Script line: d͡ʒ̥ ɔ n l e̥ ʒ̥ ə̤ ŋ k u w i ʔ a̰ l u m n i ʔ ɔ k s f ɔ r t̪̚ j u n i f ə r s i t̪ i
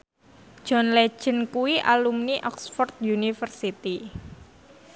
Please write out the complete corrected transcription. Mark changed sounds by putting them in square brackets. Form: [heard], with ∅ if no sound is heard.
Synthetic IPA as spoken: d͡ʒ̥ ɔ n l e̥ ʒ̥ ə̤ [n] k u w i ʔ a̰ l u m n i ʔ ɔ k s f ɔ r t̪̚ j u n i f ə r s i t̪ i